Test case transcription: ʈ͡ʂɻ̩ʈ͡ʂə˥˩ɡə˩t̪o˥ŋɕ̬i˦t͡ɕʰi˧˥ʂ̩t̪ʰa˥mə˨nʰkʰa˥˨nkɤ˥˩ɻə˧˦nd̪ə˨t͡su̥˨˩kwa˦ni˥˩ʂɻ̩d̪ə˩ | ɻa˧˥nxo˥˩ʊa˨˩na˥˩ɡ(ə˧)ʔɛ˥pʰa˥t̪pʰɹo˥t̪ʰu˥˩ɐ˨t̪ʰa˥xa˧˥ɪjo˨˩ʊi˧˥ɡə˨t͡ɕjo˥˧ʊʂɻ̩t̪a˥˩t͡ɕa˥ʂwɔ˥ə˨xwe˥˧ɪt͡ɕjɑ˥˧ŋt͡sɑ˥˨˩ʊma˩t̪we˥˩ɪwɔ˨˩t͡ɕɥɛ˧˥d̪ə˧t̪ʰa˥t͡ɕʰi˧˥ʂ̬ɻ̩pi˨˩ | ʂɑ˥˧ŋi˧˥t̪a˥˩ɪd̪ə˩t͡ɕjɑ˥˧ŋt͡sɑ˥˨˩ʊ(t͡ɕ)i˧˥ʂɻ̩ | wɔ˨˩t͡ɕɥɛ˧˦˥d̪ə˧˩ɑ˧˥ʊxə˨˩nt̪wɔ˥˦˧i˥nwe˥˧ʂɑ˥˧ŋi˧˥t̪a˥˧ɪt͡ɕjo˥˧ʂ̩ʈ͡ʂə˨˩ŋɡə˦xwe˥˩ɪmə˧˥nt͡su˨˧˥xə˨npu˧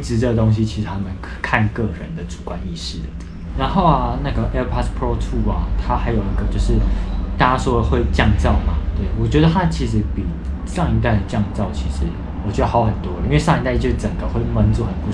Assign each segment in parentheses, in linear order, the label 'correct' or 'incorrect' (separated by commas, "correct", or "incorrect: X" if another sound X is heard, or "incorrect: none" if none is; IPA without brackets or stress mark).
incorrect: ə˩, incorrect: t͡ɕʰ